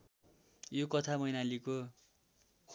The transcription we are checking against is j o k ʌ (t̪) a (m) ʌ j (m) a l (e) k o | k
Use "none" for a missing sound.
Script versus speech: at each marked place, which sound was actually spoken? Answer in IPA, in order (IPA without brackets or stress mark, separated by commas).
t̪ʰ, m, n, i